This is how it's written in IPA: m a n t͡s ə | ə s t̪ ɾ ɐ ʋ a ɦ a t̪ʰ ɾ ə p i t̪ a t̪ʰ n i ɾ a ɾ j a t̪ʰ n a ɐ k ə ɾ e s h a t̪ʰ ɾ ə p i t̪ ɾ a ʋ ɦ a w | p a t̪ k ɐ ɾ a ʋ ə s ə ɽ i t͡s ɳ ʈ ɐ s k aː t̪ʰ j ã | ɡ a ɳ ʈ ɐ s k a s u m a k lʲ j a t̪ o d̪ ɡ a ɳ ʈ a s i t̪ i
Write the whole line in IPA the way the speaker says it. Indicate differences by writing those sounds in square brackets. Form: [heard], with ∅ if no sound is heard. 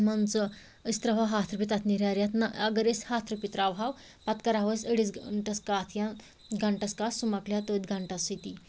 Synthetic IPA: m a n t͡s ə | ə s t̪ ɾ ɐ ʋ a ɦ a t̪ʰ ɾ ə p i t̪ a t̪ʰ n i ɾ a ɾ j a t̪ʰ n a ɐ [ɡ] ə ɾ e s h a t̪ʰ ɾ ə p i t̪ ɾ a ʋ ɦ a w | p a t̪ k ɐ ɾ a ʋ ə s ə ɽ i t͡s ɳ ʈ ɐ s k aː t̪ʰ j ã | ɡ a ɳ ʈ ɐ s k a s u m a k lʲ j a t̪ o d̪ ɡ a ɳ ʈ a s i t̪ i